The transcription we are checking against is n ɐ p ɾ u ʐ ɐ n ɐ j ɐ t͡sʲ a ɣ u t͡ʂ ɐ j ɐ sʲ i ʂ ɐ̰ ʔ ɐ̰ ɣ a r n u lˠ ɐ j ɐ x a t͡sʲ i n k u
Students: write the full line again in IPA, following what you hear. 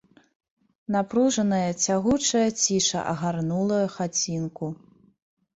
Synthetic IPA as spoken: n a p ɾ u ʐ ɐ n ɐ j ɐ t͡sʲ a ɣ u t͡ʂ ɐ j ɐ t͡sʲ i ʂ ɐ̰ ʔ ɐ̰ ɣ a r n u lˠ ɐ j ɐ x a t͡sʲ i n k u